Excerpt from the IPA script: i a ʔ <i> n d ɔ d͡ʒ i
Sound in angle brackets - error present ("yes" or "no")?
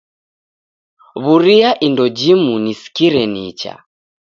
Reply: no